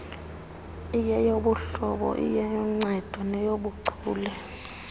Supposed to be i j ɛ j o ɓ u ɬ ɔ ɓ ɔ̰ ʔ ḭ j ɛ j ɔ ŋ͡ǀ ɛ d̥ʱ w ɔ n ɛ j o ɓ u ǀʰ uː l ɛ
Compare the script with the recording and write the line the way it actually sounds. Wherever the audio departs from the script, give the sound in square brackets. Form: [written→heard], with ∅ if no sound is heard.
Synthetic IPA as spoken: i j ɛ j o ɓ u ɬ ɔ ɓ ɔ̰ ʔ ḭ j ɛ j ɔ ŋ͡ǀ ɛ d̥ʱ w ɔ n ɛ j o ɓ u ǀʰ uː l ɛ